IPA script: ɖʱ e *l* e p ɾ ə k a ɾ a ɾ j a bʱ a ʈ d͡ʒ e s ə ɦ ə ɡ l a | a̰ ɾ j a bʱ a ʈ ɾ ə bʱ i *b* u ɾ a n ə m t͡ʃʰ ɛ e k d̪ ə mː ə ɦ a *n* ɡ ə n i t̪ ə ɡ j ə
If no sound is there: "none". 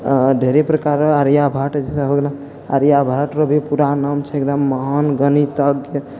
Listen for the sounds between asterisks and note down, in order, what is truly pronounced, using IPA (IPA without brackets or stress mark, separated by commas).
ɾ, p, n